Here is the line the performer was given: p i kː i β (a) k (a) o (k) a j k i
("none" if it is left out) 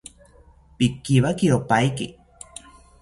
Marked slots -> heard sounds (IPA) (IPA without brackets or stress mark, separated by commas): a, i, p